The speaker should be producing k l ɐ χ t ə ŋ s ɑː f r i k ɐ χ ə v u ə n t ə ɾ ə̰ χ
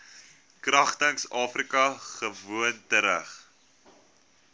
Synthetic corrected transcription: k r ɐ χ t ə ŋ s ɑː f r i k ɐ χ ə v u ə n t ə ɾ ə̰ χ